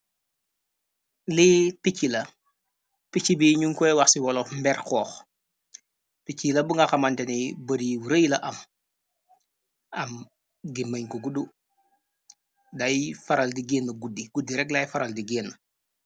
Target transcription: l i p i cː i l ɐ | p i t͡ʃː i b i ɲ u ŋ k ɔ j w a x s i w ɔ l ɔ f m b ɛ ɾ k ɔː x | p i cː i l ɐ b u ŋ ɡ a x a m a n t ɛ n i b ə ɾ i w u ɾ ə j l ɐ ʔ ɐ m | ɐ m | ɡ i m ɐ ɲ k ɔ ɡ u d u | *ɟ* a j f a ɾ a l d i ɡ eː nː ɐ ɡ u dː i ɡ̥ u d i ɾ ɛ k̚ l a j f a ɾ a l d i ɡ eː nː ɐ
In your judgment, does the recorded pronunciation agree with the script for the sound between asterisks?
no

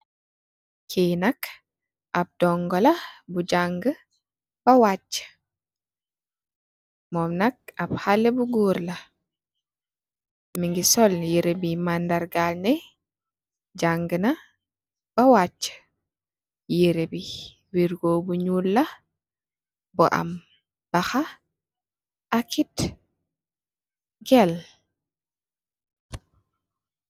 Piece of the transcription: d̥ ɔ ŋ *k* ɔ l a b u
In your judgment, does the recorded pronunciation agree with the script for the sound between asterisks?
no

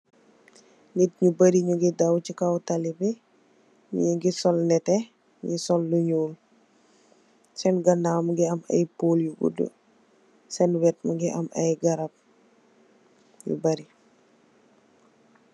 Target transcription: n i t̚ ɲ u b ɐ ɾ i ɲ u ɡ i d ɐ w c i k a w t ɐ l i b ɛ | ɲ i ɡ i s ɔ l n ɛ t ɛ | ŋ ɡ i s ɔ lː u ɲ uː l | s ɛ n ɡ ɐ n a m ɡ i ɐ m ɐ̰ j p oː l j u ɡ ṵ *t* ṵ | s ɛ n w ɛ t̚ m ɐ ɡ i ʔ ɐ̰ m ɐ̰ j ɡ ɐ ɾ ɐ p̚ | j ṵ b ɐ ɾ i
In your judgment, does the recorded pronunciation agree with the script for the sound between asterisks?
no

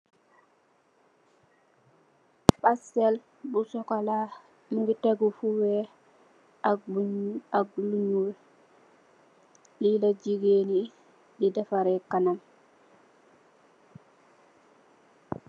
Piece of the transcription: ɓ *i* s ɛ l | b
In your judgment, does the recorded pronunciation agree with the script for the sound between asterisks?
no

